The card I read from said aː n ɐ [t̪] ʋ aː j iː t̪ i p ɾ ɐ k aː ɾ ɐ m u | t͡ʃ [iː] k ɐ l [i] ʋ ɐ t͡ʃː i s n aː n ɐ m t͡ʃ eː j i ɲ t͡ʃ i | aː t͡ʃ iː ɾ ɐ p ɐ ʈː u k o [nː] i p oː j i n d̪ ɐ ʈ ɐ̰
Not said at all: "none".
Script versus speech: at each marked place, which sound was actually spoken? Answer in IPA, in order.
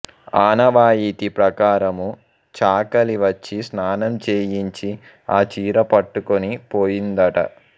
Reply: none, aː, i, n

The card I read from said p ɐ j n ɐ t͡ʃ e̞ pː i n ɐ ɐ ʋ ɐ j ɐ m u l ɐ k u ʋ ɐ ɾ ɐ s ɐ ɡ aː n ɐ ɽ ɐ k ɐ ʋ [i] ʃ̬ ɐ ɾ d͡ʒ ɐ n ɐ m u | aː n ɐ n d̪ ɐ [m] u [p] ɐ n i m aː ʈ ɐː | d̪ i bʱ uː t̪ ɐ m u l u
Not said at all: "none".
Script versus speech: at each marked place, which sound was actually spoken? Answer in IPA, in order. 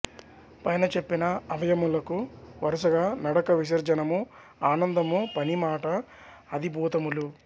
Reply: i, m, p

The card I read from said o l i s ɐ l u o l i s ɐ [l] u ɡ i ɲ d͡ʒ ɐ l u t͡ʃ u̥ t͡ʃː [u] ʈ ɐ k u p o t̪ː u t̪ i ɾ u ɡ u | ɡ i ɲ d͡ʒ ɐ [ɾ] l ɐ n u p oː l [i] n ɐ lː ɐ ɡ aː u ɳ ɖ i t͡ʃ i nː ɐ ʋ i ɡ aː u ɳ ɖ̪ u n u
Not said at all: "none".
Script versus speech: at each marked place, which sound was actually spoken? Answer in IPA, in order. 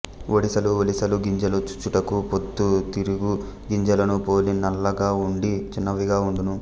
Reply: l, u, none, i

